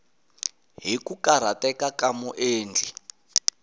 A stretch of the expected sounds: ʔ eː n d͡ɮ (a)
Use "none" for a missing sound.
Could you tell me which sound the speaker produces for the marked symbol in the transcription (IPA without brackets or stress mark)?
i